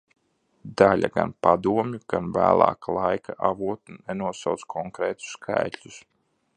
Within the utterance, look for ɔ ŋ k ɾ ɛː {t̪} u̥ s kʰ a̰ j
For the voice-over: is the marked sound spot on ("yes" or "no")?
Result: yes